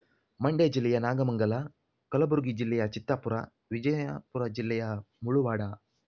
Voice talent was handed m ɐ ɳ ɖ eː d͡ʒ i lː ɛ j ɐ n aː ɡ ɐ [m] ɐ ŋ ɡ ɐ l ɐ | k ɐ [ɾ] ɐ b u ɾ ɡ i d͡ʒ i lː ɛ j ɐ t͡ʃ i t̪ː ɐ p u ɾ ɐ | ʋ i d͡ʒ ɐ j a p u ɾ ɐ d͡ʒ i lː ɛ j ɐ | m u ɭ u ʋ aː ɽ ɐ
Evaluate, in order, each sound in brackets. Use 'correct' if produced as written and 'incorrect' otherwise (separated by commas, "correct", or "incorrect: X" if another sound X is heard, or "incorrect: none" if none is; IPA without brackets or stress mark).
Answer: correct, incorrect: l